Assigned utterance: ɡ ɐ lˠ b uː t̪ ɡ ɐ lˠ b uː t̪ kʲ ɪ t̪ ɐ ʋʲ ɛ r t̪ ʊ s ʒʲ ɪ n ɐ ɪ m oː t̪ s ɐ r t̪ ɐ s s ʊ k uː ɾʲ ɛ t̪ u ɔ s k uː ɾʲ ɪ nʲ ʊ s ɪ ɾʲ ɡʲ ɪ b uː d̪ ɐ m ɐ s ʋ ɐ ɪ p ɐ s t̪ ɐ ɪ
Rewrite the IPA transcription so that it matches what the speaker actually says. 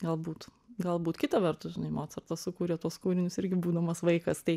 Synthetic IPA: ɡ ɐ lˠ b uː t̪ ɡ ɐ lˠ b uː t̪ kʲ ɪ t̪ ɐ ʋʲ ɛ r t̪ ʊ s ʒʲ ɪ n ɐ ɪ m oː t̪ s ɐ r t̪ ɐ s s ʊ k uː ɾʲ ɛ t̪ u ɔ s k uː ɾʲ ɪ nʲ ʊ s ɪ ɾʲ ɡʲ ɪ b uː d̪ ɐ m ɐ s ʋ ɐ ɪ k ɐ s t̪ ɐ ɪ